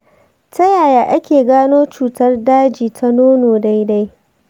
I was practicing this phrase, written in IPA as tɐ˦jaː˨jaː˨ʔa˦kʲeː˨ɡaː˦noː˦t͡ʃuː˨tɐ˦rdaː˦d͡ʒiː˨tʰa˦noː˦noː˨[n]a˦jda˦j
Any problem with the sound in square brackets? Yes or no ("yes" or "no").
yes